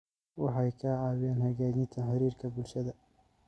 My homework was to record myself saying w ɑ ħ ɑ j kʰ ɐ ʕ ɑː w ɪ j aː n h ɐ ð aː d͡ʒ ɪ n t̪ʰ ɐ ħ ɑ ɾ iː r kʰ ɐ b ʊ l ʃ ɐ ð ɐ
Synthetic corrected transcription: w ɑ ħ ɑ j kʰ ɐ ʕ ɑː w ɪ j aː n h ɐ ɣ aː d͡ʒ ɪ n t̪ʰ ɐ ħ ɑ ɾ iː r kʰ ɐ b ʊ l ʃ ɐ ð ɐ